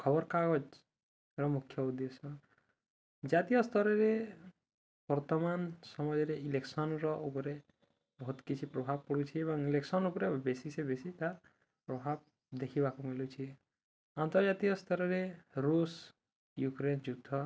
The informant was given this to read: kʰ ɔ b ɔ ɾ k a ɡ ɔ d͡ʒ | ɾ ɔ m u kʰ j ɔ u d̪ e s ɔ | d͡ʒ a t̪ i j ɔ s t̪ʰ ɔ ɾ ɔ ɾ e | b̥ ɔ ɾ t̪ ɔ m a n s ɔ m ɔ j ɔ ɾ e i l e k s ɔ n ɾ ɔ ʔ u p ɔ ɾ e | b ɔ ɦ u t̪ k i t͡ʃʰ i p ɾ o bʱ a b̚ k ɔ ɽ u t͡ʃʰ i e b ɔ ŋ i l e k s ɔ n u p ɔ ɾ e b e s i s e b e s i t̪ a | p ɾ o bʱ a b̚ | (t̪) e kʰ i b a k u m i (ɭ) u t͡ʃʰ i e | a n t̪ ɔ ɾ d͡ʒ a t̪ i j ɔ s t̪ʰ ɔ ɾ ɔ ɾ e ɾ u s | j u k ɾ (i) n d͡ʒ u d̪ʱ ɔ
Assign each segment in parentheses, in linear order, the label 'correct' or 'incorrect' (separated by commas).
incorrect, incorrect, incorrect